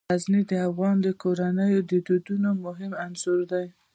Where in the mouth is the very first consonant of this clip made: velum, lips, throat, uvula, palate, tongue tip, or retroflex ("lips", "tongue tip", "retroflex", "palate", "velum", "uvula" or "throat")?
tongue tip